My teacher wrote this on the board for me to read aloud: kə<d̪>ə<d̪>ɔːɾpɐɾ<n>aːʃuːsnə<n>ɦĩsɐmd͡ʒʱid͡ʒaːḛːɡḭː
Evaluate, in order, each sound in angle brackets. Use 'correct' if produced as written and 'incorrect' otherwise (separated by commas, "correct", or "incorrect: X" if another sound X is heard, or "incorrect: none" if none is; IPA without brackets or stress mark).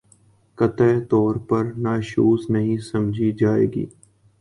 incorrect: t̪, incorrect: t̪, correct, incorrect: none